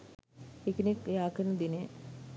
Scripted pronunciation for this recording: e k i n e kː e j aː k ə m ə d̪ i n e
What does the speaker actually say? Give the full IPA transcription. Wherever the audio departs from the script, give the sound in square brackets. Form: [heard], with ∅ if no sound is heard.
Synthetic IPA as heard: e k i n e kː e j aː k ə [n] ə d̪ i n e